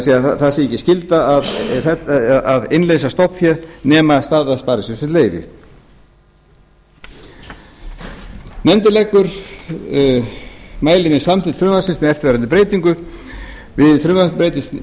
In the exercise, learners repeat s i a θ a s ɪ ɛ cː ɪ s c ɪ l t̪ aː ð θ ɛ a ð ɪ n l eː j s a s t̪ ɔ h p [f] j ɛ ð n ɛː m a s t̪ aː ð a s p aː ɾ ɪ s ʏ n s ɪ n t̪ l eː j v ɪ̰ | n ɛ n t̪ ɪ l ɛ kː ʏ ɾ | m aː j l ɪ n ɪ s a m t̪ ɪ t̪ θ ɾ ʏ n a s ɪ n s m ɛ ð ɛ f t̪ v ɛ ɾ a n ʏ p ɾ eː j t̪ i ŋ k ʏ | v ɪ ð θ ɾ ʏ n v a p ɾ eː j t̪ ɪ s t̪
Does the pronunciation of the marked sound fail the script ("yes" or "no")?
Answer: no